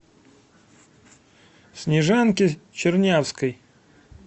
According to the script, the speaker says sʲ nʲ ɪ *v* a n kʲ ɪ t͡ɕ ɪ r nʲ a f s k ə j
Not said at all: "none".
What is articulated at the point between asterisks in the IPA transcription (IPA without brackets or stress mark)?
ʐ